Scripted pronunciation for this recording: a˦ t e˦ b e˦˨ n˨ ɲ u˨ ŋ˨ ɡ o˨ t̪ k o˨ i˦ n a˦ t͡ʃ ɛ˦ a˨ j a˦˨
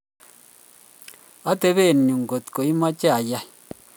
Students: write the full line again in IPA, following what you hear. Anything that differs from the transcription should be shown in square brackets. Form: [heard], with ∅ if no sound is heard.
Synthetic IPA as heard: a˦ t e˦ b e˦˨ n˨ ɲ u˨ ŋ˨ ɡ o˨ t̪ k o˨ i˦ [m] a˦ t͡ʃ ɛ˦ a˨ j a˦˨